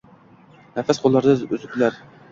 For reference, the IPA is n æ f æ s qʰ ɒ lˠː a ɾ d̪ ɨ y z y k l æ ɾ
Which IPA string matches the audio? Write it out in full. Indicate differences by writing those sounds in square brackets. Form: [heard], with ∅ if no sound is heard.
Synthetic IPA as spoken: n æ f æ s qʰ [o] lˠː [ɑ] ɾ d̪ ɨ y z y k l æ ɾ